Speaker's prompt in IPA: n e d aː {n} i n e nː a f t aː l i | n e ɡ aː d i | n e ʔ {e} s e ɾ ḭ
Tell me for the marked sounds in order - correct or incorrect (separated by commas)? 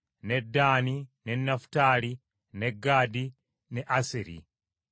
correct, incorrect